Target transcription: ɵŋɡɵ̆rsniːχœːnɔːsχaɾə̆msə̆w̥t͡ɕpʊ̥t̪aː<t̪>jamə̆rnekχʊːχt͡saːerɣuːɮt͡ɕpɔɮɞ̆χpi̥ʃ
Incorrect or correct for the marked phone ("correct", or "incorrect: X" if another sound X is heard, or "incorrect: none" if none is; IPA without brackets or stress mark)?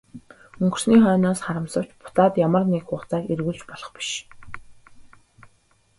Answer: correct